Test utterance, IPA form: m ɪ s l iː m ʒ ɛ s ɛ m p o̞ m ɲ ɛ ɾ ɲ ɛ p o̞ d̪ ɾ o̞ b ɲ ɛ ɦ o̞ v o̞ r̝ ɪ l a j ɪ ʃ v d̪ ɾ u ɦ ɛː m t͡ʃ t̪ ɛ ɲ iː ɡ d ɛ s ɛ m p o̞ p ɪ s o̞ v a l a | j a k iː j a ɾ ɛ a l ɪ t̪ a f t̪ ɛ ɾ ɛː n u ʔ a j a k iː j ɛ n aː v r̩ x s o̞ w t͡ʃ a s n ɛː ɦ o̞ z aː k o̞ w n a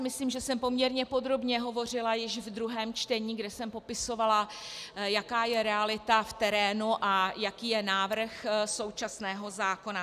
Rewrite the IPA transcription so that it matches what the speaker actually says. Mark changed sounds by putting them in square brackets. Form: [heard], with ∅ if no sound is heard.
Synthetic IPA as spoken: m ɪ s l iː m ʒ ɛ s ɛ m p o̞ m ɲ ɛ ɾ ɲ ɛ p o̞ d̪ ɾ o̞ b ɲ ɛ ɦ o̞ v o̞ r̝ ɪ l a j ɪ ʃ v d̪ ɾ u ɦ ɛː m t͡ʃ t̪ ɛ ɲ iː ɡ d ɛ s ɛ m p o̞ p ɪ s o̞ v a l a | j a k [aː] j [ɛ] ɾ ɛ a l ɪ t̪ a f t̪ ɛ ɾ ɛː n u ʔ a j a k iː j ɛ n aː v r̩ x s o̞ w t͡ʃ a s n ɛː ɦ o̞ z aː k o̞ [∅] n a